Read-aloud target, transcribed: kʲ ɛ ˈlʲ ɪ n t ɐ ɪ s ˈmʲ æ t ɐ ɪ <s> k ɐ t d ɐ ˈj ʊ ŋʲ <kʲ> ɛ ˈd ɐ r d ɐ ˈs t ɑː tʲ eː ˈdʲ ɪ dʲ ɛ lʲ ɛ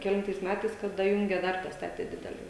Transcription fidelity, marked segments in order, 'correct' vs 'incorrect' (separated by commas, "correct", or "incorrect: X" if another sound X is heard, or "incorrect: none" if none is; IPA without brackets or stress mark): correct, incorrect: ɡʲ